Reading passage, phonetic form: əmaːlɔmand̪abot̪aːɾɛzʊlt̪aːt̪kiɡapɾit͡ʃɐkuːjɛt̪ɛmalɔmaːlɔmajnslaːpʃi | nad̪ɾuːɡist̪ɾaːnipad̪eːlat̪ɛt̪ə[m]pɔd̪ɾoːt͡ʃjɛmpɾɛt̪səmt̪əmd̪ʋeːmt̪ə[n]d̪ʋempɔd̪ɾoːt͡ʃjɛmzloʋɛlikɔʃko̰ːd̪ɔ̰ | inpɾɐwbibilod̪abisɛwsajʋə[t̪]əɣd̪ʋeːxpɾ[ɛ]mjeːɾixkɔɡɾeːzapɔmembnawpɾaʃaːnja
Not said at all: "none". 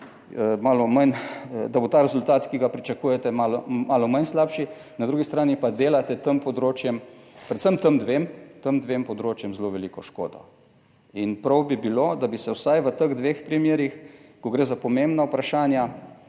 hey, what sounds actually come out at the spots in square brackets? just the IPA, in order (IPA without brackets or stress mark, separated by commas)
m, m, t̪, i